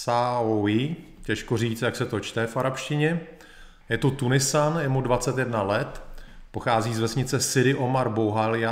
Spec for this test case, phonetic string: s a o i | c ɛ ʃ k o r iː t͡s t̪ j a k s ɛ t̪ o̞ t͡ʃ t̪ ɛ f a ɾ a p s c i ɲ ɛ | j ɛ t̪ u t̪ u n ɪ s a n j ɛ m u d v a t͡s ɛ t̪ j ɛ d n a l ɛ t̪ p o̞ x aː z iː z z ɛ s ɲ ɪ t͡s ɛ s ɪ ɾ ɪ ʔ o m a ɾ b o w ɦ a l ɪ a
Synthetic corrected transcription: s a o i | c ɛ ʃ k o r iː t͡s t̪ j a k s ɛ t̪ o̞ t͡ʃ t̪ ɛ f a ɾ a p ʃ c ɪ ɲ ɛ | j ɛ t̪ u t̪ u n ɪ s a n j ɛ m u d v a t͡s ɛ t̪ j ɛ d n a l ɛ t̪ p o̞ x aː z iː z v ɛ s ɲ ɪ t͡s ɛ s ɪ ɾ ɪ ʔ o m a ɾ b o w ɦ a l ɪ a